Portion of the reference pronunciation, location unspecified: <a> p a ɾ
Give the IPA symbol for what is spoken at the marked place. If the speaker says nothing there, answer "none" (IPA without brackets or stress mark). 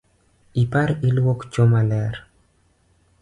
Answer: i